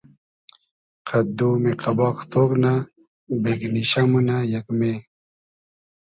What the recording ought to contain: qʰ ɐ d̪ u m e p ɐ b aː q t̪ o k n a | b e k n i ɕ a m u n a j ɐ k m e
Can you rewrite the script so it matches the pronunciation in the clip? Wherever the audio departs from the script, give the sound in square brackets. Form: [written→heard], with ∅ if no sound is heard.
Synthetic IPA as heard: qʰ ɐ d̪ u m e [p→q] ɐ b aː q t̪ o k n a | b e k n i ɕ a m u n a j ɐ k m e